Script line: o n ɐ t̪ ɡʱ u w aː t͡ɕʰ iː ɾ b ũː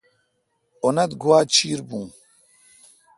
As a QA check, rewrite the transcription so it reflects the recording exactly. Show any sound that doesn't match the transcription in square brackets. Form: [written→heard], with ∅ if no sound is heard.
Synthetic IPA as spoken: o n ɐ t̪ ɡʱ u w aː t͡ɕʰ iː ɾ b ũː